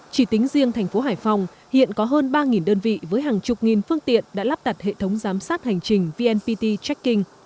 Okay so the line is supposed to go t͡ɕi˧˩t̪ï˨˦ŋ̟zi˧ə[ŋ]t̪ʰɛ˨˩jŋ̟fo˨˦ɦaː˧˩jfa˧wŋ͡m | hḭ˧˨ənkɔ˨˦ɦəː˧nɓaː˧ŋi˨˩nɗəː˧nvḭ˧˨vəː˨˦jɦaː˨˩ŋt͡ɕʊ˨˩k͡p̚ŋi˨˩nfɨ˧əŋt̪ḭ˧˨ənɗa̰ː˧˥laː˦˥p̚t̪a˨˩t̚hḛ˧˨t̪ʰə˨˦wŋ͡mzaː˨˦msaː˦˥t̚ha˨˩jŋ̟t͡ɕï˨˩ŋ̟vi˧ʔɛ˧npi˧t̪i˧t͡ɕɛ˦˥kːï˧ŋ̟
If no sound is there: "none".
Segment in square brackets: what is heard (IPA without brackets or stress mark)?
ŋ